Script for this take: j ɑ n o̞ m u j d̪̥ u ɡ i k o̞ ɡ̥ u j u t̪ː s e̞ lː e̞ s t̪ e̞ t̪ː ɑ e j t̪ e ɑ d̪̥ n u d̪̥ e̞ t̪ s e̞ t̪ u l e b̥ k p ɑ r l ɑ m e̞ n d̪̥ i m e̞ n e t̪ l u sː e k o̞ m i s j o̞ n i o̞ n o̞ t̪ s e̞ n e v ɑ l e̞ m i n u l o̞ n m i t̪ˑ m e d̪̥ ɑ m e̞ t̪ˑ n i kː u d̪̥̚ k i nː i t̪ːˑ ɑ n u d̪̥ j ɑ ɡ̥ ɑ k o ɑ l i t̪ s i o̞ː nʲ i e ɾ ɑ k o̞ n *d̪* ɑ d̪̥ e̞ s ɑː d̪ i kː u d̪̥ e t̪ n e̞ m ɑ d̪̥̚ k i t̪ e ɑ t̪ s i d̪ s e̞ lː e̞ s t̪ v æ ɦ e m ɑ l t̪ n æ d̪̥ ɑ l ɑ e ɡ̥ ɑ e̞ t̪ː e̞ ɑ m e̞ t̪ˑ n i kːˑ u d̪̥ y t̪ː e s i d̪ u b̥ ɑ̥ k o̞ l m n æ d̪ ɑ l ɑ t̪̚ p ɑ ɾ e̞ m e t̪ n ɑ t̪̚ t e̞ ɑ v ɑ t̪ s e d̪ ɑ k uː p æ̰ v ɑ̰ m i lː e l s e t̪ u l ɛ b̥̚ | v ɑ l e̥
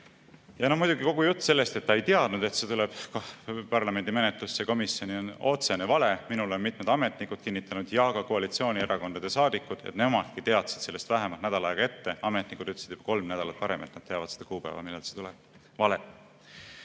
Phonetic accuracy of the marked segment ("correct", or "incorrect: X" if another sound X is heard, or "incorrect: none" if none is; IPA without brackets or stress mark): correct